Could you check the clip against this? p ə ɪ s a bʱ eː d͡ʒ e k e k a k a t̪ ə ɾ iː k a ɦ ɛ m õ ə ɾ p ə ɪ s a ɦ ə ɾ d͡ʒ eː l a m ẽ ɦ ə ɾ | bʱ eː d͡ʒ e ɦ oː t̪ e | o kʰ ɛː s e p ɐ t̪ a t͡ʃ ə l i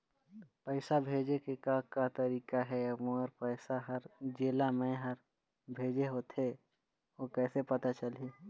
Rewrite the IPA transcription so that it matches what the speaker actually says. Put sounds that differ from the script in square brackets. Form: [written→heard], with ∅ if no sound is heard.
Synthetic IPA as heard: p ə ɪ s a bʱ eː d͡ʒ e k e k a k a t̪ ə ɾ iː k a ɦ ɛ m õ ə ɾ p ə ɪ s a ɦ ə ɾ d͡ʒ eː l a m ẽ ɦ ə ɾ | bʱ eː d͡ʒ e ɦ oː t̪ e | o [kʰ→k] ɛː s e p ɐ t̪ a t͡ʃ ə l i